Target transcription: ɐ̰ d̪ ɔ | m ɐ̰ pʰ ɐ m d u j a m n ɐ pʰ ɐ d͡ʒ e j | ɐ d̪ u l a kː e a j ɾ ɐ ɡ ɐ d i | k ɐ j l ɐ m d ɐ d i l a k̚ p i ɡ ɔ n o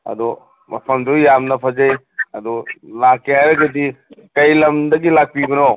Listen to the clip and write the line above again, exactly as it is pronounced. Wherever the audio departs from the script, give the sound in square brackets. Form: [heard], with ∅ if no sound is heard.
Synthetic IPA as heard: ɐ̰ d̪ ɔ | m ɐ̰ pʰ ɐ m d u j a m n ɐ pʰ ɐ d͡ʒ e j | ɐ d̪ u l a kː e a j ɾ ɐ ɡ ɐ d i | k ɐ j l ɐ m d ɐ [ɡ] i l a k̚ p i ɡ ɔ n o